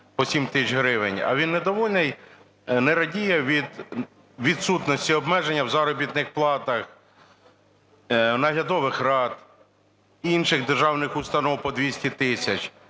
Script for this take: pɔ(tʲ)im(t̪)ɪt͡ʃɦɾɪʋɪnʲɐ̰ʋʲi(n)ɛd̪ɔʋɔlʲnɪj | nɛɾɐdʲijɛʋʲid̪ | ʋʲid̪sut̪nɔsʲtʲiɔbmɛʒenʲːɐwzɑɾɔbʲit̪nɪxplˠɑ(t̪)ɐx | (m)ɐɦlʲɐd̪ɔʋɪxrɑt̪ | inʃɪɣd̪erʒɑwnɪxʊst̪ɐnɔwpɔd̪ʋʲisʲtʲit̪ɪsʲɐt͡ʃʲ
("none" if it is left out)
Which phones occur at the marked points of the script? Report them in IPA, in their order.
sʲ, t̪, nː, t̪, n

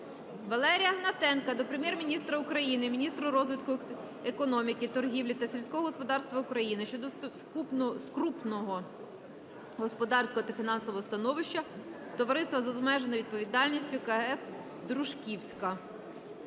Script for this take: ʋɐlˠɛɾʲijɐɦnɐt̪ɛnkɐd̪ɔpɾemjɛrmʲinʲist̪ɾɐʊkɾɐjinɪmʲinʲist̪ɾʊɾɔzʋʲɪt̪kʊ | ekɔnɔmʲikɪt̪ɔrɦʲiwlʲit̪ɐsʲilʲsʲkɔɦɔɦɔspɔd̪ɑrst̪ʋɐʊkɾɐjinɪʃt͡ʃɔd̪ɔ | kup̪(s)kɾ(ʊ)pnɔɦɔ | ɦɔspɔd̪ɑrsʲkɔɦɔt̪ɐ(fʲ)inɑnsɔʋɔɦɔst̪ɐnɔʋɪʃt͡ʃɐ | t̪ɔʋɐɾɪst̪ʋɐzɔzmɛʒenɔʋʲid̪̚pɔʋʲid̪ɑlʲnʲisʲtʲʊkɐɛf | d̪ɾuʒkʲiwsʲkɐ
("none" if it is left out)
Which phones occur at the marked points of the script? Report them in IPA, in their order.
s, u, fʲ

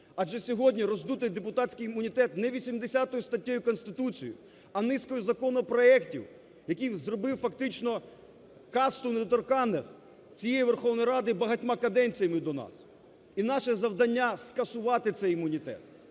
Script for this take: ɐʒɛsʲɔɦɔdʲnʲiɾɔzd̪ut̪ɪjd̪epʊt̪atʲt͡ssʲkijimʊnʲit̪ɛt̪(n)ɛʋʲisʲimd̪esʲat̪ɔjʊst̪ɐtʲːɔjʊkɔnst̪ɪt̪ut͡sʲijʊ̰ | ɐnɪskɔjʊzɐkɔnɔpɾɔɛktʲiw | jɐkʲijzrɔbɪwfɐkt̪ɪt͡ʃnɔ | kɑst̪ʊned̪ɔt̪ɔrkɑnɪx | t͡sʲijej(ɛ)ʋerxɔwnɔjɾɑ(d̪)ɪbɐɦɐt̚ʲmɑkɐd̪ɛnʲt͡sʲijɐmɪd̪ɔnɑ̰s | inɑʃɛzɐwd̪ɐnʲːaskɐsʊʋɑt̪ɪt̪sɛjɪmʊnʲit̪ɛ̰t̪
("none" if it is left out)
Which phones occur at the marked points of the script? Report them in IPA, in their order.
n, i, d̪

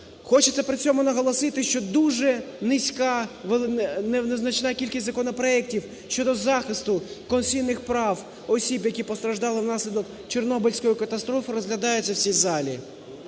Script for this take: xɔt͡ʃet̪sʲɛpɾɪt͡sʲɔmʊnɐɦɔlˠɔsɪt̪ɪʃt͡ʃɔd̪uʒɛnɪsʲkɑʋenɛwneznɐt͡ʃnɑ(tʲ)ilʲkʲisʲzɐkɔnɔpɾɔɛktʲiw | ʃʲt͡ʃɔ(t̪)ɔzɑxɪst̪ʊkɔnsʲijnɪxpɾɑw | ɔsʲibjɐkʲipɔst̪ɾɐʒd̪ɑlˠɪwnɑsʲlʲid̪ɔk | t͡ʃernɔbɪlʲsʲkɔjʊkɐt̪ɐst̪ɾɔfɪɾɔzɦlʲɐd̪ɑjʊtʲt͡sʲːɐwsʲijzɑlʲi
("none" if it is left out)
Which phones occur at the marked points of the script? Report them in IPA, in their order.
kʲ, d̪

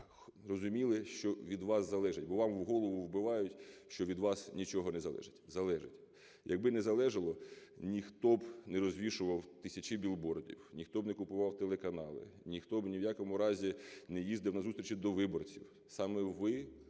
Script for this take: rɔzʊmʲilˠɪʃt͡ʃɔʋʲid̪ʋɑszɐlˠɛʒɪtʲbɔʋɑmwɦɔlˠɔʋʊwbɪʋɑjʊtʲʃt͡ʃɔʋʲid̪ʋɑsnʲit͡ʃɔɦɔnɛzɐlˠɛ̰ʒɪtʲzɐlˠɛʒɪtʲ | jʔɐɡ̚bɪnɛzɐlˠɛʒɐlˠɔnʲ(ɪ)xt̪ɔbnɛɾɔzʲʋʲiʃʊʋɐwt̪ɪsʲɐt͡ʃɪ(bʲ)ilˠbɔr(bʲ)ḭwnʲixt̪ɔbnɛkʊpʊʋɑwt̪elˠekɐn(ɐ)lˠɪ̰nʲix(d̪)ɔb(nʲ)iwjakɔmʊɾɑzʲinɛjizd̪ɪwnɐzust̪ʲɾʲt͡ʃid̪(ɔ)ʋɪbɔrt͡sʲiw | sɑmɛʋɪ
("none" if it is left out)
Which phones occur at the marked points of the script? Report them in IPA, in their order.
i, bʲ, dʲ, ɑ, t̪, nʲ, ɔ

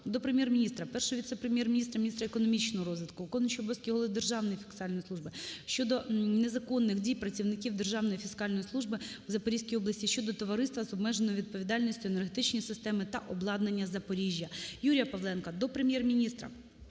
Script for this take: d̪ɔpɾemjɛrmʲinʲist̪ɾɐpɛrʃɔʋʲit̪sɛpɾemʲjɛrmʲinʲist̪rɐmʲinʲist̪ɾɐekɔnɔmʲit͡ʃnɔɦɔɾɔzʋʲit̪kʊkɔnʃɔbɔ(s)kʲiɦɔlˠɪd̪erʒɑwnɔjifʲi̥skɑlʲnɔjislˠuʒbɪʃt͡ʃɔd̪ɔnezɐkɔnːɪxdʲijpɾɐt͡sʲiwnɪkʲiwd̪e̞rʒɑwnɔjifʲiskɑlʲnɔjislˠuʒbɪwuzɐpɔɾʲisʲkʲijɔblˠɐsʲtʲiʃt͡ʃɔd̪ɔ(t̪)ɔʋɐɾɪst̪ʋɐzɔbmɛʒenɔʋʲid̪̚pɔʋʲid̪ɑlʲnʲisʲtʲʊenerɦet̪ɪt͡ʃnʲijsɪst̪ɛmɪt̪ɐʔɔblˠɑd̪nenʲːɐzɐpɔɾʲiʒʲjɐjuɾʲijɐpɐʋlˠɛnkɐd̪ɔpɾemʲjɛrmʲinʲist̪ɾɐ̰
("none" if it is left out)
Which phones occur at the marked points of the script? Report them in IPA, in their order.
s, t̪

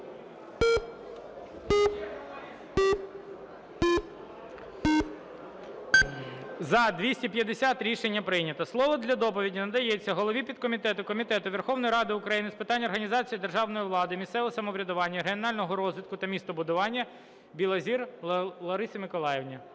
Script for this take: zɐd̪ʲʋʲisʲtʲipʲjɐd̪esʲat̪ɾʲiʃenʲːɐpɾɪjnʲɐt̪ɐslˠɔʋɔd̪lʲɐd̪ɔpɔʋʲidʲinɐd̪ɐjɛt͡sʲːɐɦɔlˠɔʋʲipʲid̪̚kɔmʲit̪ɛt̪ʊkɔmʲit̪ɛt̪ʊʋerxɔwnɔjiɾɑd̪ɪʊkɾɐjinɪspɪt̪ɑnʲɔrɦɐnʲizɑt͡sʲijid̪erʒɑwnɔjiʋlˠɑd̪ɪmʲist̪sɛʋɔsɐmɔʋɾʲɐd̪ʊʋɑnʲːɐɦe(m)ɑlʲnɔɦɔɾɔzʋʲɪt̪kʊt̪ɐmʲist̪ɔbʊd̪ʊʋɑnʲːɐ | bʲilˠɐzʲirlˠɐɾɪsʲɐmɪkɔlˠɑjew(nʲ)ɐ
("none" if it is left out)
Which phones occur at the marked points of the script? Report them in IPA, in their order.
n, nʲ

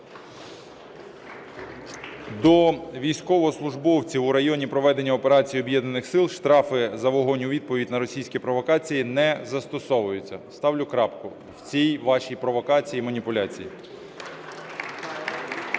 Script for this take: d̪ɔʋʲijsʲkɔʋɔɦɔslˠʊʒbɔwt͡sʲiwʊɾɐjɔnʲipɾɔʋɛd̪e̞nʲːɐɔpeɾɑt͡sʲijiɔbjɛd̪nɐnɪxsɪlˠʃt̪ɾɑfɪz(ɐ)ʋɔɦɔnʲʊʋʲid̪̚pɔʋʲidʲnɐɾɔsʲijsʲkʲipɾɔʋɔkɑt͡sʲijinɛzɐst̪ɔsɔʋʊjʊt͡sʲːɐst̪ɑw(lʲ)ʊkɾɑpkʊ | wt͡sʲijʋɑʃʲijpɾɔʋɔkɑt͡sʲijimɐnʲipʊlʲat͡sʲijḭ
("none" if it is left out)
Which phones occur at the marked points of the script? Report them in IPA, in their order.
ɐ, lʲ

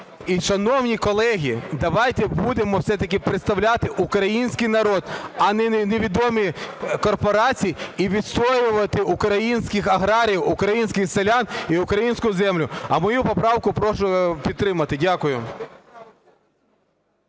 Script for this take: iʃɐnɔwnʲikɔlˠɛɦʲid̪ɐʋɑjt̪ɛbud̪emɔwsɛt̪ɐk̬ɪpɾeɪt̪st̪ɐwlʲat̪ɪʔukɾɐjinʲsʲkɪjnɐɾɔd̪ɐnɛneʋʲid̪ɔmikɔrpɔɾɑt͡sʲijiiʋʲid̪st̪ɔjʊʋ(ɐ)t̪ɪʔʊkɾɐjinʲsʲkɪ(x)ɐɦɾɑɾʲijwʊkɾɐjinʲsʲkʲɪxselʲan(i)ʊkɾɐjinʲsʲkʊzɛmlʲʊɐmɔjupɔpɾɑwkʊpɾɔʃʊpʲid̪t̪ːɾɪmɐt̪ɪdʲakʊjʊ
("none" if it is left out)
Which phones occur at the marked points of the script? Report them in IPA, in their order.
ɐ, x, i

